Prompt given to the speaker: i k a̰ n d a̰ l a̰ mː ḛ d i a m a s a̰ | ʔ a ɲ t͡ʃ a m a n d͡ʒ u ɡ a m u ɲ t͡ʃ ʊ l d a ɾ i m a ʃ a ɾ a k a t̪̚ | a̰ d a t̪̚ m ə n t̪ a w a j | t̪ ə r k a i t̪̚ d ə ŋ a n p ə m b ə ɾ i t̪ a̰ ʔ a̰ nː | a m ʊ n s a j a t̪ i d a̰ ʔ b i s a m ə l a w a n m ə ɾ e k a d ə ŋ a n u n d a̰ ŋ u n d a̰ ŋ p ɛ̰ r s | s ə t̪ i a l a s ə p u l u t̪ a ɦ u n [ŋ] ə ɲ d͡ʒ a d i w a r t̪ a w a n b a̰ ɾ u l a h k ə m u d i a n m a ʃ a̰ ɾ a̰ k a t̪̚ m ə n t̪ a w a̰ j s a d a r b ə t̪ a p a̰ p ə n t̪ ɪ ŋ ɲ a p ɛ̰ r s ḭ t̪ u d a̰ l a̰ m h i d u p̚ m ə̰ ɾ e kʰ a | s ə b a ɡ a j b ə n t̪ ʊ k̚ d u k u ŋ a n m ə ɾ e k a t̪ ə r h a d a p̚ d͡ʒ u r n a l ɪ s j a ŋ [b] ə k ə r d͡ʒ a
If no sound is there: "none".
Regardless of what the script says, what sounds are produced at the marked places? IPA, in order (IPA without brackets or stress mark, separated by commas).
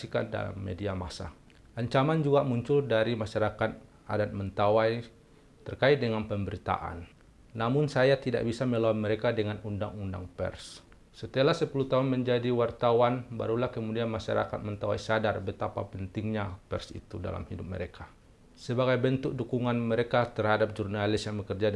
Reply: m, b